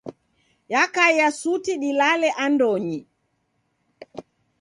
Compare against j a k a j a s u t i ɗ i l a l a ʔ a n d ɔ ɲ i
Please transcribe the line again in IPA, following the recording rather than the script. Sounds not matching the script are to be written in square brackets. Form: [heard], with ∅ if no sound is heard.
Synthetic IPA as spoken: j a k a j a s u t i ɗ i l a l [ɛ] ʔ a n d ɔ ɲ i